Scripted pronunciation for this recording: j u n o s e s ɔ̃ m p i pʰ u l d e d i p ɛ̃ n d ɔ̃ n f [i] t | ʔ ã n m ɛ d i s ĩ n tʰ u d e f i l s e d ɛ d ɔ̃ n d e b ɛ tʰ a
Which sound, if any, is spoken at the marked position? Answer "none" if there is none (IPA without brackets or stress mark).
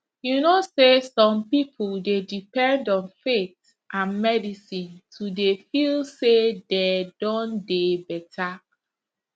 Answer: e